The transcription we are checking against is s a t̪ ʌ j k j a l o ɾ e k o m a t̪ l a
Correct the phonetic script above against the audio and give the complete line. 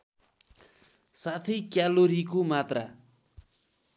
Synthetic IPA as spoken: s a t̪ʰ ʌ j k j a l o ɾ i k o m a t̪ r a